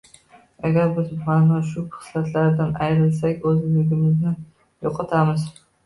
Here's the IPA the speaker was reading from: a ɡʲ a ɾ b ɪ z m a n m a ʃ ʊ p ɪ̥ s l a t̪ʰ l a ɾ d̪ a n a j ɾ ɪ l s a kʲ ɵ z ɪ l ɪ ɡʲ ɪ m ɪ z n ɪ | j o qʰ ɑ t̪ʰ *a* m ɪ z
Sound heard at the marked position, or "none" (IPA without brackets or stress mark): a